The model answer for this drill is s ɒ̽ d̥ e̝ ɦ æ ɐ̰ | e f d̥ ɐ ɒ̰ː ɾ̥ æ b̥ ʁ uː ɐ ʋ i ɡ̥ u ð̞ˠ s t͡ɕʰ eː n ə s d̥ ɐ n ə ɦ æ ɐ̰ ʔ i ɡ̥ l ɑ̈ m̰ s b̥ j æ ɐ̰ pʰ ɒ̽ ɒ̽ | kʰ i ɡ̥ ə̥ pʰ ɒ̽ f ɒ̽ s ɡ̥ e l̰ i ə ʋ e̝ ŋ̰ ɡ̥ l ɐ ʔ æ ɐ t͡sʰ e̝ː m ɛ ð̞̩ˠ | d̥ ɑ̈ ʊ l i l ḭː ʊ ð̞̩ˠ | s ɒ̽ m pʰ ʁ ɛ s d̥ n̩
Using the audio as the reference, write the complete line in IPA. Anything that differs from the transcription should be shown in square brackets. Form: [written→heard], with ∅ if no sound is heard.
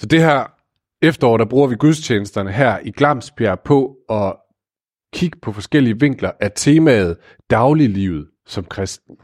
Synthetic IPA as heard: s ɒ̽ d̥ e̝ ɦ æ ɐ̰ | e f d̥ ɐ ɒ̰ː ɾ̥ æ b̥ ʁ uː ɐ ʋ i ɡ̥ u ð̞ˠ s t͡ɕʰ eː n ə s d̥ ɐ n ə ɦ æ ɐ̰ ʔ i ɡ̥ l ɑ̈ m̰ s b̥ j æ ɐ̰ pʰ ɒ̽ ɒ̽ | kʰ i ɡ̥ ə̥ pʰ ɒ̽ f ɒ̽ s ɡ̥ e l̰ i ə ʋ e̝ ŋ̰ ɡ̥ l ɐ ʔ æ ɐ t͡sʰ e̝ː m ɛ ð̞̩ˠ | d̥ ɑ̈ ʊ l i l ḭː ʊ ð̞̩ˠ | s ɒ̽ m [pʰ→kʰ] ʁ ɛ s d̥ n̩